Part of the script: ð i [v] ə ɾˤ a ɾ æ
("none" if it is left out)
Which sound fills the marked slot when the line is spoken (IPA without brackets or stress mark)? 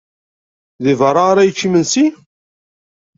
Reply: v